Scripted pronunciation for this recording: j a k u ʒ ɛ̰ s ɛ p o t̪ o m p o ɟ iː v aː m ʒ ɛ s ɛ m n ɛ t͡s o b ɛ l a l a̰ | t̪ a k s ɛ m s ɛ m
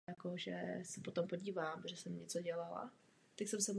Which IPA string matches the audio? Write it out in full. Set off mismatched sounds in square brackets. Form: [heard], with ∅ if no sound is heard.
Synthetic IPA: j a k [o] ʒ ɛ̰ s ɛ p o t̪ o m p o ɟ iː v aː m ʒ ɛ s ɛ m [ɲ] ɛ t͡s o [ɟ] ɛ l a l a̰ | t̪ a k s ɛ m s ɛ m

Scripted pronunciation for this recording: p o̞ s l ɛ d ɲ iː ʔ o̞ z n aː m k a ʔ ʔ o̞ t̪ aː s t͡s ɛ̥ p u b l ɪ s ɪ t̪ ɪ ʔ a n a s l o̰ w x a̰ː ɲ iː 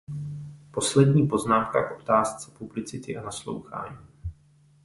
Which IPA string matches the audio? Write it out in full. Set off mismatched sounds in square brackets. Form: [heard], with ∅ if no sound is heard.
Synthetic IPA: p o̞ s l ɛ d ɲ iː [p] o̞ z n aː m k a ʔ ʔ o̞ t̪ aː s t͡s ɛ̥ p u b l ɪ [t͡s] ɪ t̪ ɪ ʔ a n a s l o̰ w x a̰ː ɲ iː

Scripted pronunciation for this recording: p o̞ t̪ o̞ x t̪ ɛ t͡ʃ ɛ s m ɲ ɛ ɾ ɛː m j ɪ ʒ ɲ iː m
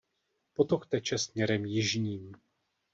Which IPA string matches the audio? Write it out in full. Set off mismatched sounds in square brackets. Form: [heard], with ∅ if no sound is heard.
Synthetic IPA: p o̞ t̪ o̞ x t̪ ɛ t͡ʃ ɛ s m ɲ ɛ ɾ [ɛ] m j ɪ ʒ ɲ iː m

